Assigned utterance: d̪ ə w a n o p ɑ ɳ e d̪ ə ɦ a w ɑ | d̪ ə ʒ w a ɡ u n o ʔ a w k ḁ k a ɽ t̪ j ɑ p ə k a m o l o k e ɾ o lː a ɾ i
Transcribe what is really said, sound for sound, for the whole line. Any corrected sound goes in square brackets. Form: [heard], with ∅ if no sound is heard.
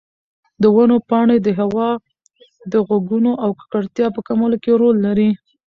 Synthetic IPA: d̪ ə w a n o p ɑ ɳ e d̪ ə ɦ a w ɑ | d̪ ə [ɣ] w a ɡ u n o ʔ a w k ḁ k a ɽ t̪ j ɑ p ə k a m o l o k e ɾ o lː a ɾ i

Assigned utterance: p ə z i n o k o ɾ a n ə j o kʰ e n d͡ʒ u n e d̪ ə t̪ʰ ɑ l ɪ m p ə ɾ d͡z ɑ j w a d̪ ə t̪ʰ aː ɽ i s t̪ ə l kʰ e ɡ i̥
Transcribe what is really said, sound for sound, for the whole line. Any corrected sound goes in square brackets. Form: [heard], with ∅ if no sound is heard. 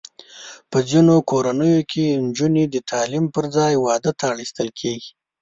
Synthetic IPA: p ə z i n o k o ɾ a n ə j o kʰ e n d͡ʒ u n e d̪ ə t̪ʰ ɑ l [i] m p ə ɾ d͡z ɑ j w [ɑ] d̪ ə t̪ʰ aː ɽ i s t̪ ə l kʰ e ɡ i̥

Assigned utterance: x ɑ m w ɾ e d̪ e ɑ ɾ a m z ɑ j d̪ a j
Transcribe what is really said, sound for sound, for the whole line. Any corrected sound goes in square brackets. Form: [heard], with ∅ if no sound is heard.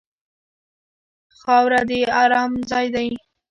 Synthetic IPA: x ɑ [∅] w ɾ [a] d̪ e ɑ ɾ [ɑ] m z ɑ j d̪ a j

